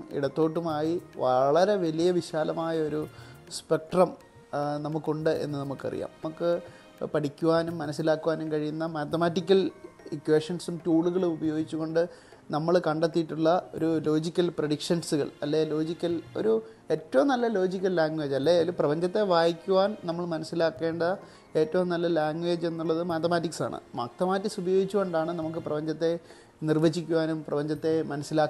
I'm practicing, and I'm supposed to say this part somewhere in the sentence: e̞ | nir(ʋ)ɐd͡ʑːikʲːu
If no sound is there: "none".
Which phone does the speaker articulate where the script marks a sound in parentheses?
ʋ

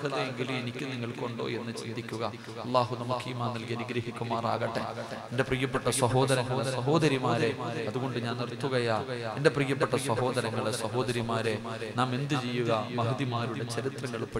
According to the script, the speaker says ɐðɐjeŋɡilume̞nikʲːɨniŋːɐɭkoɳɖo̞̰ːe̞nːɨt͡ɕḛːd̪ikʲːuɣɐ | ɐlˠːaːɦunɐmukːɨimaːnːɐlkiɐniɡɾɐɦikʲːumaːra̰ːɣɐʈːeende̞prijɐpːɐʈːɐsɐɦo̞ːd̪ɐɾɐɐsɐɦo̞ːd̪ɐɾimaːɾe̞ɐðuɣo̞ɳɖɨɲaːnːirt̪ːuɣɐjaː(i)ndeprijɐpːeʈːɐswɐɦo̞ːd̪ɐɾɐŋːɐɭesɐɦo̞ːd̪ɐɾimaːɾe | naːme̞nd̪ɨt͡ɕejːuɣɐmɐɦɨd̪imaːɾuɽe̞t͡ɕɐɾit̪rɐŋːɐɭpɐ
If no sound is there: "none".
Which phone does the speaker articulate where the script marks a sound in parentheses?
e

